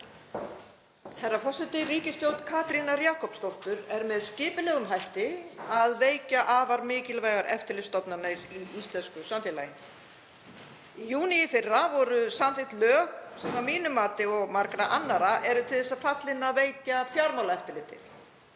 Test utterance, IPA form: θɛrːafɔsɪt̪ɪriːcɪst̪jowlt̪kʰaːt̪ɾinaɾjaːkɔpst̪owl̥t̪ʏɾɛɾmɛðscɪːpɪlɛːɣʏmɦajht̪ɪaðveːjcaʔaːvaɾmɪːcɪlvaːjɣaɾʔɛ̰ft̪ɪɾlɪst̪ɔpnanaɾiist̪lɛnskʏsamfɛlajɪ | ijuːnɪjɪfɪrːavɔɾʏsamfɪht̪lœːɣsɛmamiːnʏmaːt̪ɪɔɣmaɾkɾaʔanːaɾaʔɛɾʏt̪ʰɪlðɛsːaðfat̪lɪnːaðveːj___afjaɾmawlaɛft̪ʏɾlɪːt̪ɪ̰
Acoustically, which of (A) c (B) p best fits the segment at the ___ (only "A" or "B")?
A